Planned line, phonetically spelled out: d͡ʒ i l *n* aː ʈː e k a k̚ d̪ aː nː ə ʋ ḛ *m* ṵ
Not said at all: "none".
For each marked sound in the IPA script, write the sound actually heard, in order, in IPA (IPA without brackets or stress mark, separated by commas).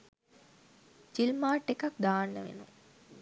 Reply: m, n